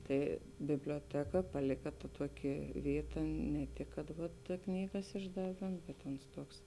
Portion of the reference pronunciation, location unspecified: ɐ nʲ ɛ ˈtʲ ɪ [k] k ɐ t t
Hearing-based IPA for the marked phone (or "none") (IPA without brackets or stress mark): k